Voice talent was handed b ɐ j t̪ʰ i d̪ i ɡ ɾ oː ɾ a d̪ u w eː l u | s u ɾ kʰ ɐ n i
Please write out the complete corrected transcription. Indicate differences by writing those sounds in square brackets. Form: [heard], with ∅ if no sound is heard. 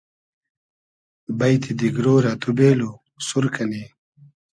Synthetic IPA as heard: b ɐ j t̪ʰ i d̪ i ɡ ɾ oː ɾ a [t̪] u [b] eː l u | s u ɾ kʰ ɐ n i